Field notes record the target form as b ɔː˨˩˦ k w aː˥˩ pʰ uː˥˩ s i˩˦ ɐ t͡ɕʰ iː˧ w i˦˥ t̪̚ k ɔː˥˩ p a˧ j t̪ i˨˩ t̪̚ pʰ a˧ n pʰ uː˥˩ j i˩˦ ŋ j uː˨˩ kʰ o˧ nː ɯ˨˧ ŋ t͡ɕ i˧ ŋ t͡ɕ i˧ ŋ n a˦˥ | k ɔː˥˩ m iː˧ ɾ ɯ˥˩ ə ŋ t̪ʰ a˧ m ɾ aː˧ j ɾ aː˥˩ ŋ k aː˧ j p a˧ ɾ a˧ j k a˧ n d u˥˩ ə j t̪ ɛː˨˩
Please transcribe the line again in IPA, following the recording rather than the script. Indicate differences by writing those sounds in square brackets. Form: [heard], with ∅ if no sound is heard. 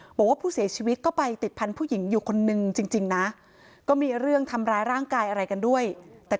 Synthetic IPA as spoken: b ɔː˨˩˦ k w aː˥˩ pʰ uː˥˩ s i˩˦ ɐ t͡ɕʰ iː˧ w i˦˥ t̪̚ k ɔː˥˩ p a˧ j t̪ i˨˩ t̪̚ pʰ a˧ n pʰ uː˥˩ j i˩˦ ŋ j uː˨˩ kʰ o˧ nː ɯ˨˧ ŋ t͡ɕ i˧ ŋ t͡ɕ i˧ ŋ n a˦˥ | k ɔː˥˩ m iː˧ ɾ ɯ˥˩ ə ŋ t̪ʰ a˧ m ɾ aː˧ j ɾ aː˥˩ ŋ k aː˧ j [ʔ] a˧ ɾ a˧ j k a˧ n d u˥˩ ə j t̪ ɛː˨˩